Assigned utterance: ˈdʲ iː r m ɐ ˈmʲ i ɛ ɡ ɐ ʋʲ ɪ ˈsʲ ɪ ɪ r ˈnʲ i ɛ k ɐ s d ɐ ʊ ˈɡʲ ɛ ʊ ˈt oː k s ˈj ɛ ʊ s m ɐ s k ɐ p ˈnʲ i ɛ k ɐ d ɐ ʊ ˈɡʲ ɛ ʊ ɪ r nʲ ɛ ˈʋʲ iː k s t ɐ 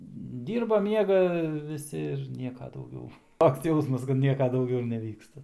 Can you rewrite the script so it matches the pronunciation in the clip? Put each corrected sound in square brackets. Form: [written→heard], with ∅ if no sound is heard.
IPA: ˈdʲ iː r [m→b] ɐ ˈmʲ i ɛ ɡ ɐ ʋʲ ɪ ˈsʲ ɪ ɪ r ˈnʲ i ɛ k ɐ [s→∅] d ɐ ʊ ˈɡʲ ɛ ʊ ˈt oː k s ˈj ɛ ʊ s m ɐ s k ɐ [p→t] ˈnʲ i ɛ k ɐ d ɐ ʊ ˈɡʲ ɛ ʊ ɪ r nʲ ɛ ˈʋʲ iː k s t ɐ